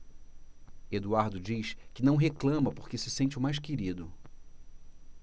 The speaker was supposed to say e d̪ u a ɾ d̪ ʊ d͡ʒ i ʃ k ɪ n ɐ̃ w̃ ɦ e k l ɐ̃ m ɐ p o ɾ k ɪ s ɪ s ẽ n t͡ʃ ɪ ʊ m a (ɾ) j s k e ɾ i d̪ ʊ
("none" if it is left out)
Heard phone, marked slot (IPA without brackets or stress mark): none